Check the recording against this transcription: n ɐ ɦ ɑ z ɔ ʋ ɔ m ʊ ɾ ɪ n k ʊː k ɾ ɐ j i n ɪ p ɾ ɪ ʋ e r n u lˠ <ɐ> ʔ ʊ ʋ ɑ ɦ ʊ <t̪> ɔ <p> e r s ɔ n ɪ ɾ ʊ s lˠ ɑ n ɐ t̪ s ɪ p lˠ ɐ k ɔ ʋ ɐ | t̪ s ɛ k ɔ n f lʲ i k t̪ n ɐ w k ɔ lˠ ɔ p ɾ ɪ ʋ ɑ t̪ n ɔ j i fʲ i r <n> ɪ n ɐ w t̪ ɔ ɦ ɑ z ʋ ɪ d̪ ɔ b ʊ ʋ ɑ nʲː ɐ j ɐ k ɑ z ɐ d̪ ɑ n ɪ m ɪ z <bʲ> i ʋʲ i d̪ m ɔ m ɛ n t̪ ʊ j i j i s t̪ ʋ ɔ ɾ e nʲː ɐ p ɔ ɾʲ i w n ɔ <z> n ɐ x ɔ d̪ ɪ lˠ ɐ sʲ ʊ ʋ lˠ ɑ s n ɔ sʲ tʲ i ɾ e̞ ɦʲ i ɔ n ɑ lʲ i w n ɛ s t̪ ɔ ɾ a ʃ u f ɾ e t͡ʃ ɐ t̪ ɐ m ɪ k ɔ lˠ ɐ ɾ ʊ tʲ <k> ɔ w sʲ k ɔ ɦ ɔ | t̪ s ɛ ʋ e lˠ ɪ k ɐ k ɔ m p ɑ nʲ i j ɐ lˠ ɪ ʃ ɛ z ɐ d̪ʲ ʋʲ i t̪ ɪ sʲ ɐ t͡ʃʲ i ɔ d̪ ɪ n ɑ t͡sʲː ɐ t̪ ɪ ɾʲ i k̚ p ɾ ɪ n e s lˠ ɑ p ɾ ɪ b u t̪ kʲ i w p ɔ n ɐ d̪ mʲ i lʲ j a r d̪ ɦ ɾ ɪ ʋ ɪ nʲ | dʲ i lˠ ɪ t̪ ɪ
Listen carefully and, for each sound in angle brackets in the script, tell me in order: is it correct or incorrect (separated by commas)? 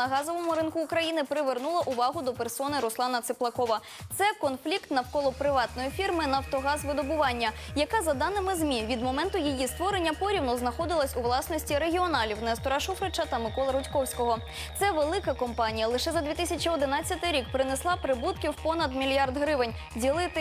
correct, incorrect, correct, incorrect, incorrect, correct, correct